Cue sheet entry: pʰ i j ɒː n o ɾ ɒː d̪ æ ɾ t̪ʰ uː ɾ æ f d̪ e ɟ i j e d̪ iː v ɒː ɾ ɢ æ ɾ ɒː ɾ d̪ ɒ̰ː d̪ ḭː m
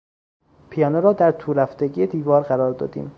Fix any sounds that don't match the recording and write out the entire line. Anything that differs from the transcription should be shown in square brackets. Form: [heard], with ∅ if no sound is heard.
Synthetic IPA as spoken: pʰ i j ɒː n o ɾ ɒː d̪ æ ɾ t̪ʰ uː ɾ æ f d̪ e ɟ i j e d̪ iː v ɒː ɾ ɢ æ ɾ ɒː ɾ d̪ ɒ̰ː d̪ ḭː m